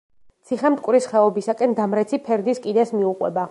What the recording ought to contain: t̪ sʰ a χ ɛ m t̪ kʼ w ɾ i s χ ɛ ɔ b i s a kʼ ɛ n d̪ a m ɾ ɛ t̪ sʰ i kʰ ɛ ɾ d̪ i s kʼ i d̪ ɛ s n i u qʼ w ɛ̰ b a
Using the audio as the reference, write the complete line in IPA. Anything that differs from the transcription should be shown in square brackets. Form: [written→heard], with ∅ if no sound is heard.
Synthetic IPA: t̪ sʰ [a→i] χ ɛ m t̪ kʼ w ɾ i s χ ɛ ɔ b i s a kʼ ɛ n d̪ a m ɾ ɛ t̪ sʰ i [kʰ→pʰ] ɛ ɾ d̪ i s kʼ i d̪ ɛ s [n→m] i u qʼ w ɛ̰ b a